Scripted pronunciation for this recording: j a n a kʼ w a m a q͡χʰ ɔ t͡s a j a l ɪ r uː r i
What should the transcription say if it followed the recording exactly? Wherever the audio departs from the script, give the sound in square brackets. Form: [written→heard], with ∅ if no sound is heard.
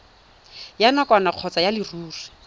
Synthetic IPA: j a n a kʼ w a [m→n] a q͡χʰ ɔ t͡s a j a l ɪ r uː r i